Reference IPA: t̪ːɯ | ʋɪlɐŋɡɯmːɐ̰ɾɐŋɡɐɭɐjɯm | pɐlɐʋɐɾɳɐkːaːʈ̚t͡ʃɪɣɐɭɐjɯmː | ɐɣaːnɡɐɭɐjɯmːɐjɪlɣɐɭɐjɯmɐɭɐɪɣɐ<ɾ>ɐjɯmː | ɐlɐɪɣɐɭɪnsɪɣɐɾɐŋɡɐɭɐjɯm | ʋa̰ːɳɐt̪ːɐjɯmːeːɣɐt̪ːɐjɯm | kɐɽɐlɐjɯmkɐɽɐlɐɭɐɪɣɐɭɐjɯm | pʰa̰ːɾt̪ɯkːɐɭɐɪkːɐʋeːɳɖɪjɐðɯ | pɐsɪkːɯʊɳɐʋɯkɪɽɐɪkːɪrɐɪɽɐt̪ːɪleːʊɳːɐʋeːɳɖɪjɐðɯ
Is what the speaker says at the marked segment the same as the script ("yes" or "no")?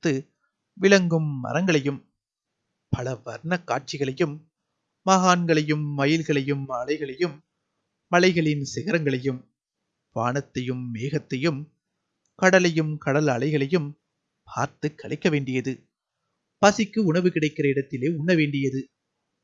no